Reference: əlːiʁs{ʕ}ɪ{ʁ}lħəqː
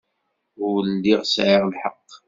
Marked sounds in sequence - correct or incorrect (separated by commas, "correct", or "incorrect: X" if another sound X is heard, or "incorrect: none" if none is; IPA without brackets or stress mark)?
correct, correct